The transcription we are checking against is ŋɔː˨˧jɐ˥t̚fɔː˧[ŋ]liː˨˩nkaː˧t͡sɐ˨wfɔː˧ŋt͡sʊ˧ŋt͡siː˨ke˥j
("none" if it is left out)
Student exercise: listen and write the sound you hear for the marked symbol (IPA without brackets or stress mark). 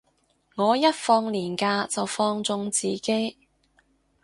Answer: ŋ